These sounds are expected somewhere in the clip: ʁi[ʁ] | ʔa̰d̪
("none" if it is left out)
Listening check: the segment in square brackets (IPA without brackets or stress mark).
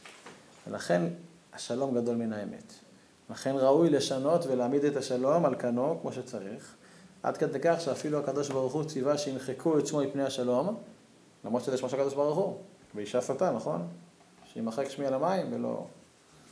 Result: χ